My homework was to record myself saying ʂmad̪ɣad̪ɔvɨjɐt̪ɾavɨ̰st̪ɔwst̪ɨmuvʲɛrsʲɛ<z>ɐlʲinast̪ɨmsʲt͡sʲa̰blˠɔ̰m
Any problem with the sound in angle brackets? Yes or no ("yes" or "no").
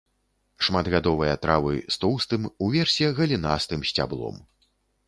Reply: yes